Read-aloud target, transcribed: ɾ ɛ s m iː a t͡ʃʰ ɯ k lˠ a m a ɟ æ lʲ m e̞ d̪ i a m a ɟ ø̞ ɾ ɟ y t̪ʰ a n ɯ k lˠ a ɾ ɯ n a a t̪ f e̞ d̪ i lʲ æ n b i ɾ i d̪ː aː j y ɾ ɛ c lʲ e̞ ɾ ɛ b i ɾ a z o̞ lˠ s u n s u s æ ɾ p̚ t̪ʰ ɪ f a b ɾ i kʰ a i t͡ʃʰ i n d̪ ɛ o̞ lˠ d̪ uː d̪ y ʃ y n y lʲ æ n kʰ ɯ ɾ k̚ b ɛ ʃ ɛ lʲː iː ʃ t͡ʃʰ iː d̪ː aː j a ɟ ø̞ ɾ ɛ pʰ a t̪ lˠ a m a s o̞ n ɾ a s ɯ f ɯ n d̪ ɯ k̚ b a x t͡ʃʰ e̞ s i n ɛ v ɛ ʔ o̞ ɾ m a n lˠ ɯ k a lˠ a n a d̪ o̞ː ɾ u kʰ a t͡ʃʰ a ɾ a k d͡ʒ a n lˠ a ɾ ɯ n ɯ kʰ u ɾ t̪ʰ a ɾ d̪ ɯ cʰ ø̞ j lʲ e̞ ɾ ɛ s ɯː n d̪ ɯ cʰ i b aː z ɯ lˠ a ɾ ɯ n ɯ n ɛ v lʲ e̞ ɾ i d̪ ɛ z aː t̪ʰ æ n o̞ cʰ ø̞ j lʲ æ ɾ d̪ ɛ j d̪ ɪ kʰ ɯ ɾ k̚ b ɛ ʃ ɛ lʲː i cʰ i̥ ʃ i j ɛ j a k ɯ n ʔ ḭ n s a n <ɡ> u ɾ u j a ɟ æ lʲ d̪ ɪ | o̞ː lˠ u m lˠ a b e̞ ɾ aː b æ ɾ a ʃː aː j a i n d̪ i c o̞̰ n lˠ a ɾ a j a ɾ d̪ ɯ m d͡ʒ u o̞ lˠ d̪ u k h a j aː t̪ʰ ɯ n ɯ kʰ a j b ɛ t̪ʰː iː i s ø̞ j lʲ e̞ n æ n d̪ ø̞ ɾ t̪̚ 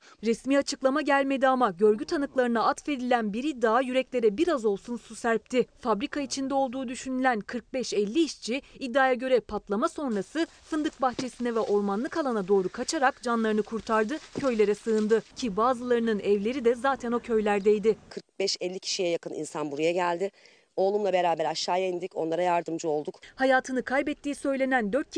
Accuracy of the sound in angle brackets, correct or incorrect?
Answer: incorrect